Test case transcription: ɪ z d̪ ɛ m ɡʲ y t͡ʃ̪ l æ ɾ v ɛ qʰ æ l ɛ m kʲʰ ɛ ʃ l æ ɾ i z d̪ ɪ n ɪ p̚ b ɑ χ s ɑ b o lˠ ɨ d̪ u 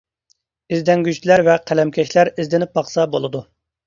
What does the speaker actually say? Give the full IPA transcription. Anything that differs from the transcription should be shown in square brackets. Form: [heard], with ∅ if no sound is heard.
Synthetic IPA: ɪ z d̪ ɛ [ŋ] ɡʲ y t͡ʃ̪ l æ ɾ v ɛ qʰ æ l ɛ m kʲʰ ɛ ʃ l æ ɾ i z d̪ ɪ n ɪ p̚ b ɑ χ s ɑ b o lˠ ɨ d̪ u